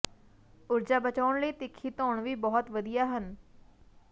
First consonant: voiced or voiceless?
voiced